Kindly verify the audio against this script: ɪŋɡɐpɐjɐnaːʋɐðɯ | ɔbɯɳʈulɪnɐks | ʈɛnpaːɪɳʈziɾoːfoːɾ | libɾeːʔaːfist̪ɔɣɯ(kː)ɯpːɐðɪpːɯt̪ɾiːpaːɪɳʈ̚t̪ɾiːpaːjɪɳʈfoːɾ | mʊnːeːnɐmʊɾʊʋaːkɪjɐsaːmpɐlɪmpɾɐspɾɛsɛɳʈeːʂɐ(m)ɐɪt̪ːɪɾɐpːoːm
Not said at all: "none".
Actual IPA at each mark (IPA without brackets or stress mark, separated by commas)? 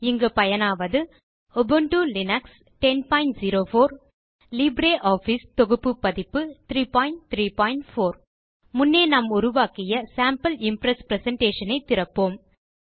pː, n